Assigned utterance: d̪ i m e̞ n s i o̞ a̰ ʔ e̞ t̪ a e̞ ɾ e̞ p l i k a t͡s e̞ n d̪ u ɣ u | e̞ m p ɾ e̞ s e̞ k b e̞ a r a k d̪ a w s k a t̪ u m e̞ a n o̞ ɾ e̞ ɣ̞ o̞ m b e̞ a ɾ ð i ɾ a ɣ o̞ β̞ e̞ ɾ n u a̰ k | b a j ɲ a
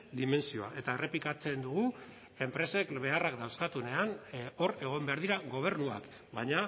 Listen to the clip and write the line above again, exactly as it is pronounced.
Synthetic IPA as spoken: d̪ i m e̞ n s i o̞ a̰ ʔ e̞ t̪ a e̞ r e̞ p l i k a t͡s e̞ n d̪ u ɣ u | e̞ m p ɾ e̞ s e̞ k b e̞ a r a k d̪ a w s k a t̪ u n e̞ a n o̞ ɾ e̞ ɣ̞ o̞ m b e̞ a ɾ ð i ɾ a ɣ o̞ β̞ e̞ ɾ n u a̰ k | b a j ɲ a